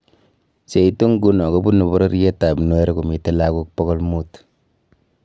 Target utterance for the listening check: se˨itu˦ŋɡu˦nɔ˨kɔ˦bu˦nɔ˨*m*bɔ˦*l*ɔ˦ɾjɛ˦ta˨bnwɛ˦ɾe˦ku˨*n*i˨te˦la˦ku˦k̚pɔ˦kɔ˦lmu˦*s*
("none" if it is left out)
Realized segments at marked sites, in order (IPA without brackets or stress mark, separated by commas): none, ɾ, m, t